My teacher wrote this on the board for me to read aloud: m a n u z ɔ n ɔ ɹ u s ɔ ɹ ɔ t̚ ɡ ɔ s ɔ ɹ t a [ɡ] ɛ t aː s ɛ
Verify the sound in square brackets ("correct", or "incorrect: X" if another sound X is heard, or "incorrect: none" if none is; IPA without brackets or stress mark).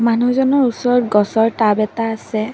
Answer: incorrect: b